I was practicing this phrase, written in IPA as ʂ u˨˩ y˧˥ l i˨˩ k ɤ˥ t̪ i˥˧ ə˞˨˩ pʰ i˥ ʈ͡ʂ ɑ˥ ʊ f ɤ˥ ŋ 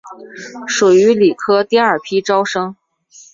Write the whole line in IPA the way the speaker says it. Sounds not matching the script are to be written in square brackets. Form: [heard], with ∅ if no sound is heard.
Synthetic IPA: ʂ u˨˩ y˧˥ l i˨˩ [kʰ] ɤ˥ t̪ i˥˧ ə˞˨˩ pʰ i˥ ʈ͡ʂ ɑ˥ ʊ [ʂ] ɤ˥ ŋ